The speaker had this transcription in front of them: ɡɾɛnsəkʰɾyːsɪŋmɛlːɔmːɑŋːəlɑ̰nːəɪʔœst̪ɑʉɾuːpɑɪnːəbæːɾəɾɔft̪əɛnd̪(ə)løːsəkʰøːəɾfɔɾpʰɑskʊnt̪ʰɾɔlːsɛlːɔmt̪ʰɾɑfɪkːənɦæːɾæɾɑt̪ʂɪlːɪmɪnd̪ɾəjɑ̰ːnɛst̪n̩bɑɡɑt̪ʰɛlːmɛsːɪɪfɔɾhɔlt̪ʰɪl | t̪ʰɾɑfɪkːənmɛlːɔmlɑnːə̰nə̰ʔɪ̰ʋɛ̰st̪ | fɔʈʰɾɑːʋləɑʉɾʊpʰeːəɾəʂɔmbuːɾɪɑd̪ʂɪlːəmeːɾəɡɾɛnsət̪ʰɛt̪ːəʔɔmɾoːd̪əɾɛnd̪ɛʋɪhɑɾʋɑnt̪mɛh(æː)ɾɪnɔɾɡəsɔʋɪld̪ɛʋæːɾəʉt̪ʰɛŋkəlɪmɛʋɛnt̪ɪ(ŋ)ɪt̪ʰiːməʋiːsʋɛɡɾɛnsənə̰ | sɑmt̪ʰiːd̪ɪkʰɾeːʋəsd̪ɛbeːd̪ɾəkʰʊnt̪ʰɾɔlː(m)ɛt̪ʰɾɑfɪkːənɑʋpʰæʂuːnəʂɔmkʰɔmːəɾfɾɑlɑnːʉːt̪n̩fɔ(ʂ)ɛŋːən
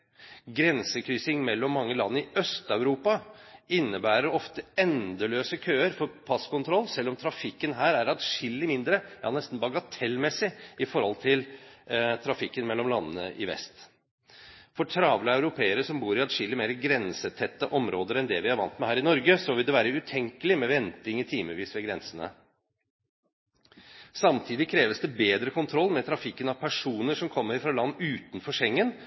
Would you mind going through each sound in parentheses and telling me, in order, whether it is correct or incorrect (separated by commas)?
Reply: correct, correct, correct, correct, correct